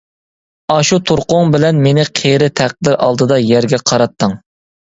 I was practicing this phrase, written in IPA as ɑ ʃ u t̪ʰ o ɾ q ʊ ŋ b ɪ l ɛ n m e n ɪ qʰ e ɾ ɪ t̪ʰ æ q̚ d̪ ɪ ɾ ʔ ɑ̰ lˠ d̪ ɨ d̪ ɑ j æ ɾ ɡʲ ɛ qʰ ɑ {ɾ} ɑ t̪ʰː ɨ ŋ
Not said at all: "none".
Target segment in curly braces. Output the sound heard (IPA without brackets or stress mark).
ɾ